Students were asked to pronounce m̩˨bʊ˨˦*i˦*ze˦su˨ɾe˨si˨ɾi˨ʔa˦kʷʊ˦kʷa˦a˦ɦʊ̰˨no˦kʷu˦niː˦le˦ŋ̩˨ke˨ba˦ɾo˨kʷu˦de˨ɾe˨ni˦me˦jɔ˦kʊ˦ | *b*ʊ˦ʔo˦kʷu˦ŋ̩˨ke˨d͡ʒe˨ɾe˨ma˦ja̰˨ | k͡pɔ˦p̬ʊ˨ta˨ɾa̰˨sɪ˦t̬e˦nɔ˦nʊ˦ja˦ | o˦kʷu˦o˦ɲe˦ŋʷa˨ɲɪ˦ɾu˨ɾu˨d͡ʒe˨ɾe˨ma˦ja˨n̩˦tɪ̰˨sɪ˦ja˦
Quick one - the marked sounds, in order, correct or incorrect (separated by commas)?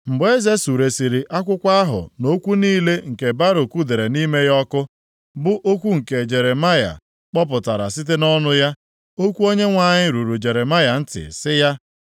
incorrect, correct